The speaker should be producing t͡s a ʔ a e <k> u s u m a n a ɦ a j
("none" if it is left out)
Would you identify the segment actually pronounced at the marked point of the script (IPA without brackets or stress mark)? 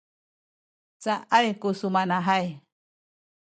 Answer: k